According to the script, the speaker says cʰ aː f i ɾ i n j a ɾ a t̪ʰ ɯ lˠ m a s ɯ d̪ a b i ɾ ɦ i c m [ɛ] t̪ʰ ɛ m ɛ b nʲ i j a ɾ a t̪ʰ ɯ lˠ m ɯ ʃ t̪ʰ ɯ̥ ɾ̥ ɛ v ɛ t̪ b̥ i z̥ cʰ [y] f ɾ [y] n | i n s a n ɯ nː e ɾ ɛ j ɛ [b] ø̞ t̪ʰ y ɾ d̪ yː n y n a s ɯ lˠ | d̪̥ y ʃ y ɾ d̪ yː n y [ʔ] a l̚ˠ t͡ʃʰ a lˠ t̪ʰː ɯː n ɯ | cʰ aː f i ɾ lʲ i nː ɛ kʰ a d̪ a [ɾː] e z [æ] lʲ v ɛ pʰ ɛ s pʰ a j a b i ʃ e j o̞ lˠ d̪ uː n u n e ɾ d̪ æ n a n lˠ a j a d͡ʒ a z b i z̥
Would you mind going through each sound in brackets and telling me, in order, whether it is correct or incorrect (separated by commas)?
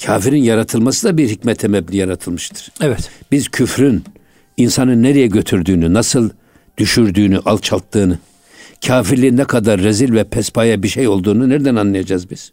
correct, correct, correct, incorrect, correct, correct, incorrect